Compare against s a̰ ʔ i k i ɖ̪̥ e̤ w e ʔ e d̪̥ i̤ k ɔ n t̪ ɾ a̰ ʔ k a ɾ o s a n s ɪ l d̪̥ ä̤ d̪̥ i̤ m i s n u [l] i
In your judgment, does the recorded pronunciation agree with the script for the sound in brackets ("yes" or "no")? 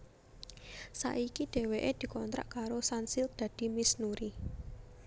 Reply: no